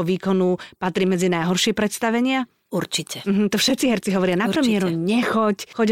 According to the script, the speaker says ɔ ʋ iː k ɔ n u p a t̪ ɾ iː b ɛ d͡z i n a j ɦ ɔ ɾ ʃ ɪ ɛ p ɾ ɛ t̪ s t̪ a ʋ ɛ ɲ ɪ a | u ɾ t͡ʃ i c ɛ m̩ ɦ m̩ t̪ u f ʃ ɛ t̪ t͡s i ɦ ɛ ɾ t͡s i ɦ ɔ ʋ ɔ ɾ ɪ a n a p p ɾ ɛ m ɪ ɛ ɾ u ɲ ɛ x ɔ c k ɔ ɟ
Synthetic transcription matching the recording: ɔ ʋ iː k ɔ n u p a t̪ ɾ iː m ɛ d͡z i n a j ɦ ɔ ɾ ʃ ɪ ɛ p ɾ ɛ t̪ s t̪ a ʋ ɛ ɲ ɪ a | u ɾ t͡ʃ i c ɛ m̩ ɦ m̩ t̪ ɔ f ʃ ɛ t̪ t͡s i ɦ ɛ ɾ t͡s i ɦ ɔ ʋ ɔ ɾ ɪ a n a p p ɾ ɛ m ɪ ɛ ɾ u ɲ ɛ x ɔ c x ɔ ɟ